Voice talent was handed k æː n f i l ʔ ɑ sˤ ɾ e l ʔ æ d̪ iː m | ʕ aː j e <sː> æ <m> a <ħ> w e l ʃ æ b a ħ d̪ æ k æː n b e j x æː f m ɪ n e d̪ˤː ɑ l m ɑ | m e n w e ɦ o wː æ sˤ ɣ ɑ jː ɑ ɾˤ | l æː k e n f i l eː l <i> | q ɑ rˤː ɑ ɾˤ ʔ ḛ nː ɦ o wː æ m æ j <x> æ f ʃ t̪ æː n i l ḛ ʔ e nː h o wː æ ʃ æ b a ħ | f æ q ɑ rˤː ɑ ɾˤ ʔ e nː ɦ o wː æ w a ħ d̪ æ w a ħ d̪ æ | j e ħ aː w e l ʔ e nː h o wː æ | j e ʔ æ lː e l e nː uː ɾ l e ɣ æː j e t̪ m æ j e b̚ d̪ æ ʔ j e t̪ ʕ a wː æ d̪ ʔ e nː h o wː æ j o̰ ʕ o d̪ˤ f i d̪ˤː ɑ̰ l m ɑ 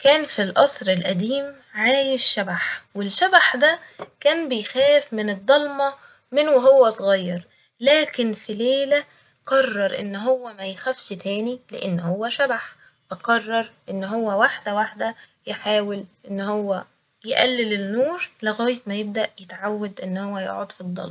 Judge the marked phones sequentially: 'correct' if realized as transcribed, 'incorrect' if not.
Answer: incorrect: ʃː, incorrect: b, correct, incorrect: æ, correct

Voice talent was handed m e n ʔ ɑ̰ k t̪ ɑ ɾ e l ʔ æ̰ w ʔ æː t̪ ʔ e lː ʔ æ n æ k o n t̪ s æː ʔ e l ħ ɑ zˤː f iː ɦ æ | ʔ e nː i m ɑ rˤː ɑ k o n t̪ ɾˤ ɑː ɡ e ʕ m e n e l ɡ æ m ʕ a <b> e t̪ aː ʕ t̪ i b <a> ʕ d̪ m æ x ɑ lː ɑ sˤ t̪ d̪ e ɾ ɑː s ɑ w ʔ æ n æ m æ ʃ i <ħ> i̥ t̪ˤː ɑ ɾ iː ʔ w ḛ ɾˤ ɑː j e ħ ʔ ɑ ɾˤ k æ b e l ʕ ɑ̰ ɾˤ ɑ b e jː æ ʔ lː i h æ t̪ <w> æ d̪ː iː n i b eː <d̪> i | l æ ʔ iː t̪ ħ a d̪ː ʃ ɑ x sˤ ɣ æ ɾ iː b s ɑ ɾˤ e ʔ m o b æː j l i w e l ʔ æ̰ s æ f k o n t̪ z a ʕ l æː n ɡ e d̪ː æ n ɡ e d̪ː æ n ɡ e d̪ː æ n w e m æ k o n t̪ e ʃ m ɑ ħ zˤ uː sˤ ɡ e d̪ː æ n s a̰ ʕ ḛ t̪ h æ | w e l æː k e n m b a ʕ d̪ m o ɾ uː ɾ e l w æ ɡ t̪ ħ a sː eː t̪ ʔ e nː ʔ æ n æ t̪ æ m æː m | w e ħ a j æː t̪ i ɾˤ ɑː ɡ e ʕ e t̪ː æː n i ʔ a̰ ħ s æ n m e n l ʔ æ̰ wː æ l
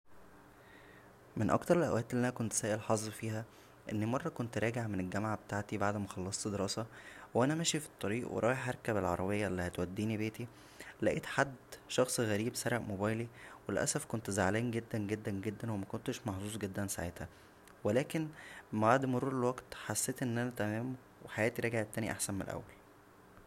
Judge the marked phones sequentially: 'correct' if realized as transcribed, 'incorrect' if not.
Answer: correct, correct, incorrect: f, correct, incorrect: t̪

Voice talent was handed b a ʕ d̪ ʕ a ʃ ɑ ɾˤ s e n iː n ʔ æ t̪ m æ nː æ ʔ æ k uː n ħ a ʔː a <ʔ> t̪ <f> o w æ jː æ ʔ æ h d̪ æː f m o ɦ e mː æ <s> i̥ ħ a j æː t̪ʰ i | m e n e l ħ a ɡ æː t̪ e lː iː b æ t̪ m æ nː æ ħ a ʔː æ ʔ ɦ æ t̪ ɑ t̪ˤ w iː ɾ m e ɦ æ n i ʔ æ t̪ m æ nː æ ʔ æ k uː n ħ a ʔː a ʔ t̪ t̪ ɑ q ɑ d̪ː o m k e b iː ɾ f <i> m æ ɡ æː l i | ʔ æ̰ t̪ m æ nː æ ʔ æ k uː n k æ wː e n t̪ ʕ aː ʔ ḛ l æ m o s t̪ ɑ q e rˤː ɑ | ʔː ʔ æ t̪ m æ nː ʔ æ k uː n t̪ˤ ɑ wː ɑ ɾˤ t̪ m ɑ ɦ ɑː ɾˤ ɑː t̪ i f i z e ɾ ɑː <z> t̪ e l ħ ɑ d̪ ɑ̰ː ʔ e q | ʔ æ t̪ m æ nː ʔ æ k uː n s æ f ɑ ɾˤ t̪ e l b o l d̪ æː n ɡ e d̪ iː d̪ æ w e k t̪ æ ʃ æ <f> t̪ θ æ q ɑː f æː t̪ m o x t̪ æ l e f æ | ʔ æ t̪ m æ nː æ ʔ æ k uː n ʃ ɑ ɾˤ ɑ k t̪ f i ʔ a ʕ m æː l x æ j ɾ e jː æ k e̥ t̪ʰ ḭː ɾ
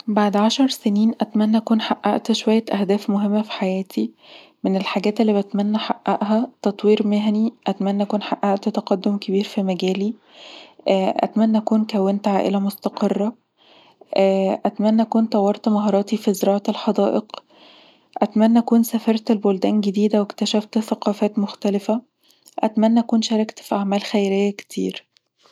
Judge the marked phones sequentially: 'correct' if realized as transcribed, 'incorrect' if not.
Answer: correct, incorrect: ʃ, incorrect: f, correct, incorrect: ʕ, correct

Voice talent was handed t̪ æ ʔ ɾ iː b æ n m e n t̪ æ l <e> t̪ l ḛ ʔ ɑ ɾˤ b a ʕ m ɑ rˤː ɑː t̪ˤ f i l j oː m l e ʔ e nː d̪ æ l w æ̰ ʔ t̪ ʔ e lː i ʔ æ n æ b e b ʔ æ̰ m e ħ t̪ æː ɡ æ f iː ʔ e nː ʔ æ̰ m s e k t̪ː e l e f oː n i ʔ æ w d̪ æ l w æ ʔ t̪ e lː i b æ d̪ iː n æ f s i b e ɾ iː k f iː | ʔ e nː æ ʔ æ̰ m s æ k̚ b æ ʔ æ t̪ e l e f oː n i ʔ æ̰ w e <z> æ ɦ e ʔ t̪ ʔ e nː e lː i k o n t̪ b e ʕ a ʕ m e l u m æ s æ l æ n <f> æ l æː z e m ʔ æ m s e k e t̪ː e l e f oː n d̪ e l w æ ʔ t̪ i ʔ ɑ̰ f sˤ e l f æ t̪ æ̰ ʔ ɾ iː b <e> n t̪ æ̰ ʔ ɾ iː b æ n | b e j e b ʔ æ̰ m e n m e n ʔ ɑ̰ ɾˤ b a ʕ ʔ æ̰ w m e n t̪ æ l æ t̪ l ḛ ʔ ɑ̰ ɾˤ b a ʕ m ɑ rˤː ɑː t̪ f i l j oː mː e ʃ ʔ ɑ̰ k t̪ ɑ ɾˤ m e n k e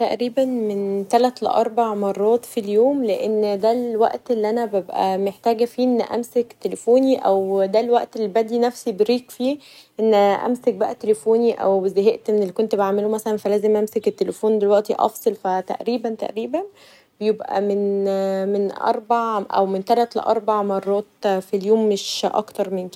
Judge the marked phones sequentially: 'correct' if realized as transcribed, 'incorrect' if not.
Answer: incorrect: æ, correct, correct, incorrect: æ

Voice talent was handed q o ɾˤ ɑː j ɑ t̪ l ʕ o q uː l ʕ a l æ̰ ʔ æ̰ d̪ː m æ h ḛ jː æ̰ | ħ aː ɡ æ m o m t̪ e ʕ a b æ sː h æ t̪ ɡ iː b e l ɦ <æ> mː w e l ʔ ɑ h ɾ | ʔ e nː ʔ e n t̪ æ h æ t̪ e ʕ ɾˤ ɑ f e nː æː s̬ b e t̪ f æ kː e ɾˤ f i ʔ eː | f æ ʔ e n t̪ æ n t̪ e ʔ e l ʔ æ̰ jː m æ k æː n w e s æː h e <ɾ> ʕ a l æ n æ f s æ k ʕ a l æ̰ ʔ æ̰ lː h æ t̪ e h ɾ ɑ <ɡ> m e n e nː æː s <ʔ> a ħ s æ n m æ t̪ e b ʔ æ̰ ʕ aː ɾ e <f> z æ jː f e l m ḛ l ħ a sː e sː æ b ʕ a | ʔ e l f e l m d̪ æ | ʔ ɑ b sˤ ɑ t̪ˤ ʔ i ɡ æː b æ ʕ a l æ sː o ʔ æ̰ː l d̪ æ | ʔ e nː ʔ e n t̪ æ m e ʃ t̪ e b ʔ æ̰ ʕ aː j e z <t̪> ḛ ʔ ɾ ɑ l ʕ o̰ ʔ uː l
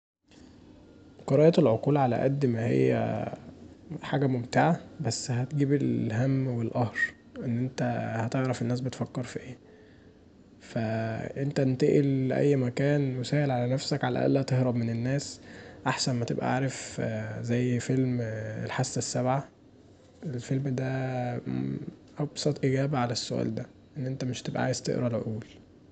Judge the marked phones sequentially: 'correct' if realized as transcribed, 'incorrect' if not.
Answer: correct, incorrect: l, incorrect: b, correct, correct, correct

